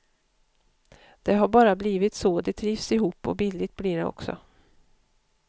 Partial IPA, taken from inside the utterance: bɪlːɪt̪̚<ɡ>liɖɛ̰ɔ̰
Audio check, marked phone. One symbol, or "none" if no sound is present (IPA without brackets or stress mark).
b